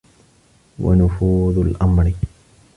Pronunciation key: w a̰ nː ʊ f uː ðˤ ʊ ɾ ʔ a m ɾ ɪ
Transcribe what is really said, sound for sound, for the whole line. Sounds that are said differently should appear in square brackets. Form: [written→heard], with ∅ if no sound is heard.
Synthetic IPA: w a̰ [nː→n] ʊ f uː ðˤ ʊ [ɾ→l] ʔ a m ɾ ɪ